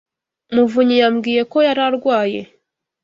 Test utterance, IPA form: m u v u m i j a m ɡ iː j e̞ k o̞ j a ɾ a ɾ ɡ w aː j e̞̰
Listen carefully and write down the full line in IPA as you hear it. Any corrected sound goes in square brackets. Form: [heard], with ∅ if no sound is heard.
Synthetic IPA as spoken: m u v u [ɲ] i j a m ɡ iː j e̞ k o̞ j a ɾ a ɾ ɡ w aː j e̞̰